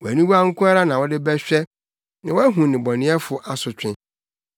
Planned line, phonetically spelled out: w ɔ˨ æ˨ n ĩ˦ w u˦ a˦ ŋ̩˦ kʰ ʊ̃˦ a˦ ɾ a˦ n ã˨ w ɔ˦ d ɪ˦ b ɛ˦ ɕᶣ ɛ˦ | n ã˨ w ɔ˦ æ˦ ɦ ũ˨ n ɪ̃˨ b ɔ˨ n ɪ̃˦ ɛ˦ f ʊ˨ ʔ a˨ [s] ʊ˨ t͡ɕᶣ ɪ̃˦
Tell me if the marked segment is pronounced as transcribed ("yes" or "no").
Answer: yes